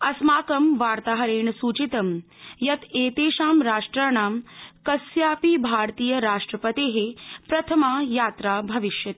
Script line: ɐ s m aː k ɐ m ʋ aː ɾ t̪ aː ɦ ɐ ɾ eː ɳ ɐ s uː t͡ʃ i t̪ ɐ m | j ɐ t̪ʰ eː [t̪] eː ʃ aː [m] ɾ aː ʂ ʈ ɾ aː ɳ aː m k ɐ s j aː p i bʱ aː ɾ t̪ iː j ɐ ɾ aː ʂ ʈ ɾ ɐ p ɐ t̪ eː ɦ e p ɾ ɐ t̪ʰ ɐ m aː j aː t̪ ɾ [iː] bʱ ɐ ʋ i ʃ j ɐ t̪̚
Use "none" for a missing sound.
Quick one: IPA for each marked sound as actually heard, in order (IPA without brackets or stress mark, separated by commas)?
t̪, m, aː